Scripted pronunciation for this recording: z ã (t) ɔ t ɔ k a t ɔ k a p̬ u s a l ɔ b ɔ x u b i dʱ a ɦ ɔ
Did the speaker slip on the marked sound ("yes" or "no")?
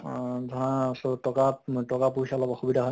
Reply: yes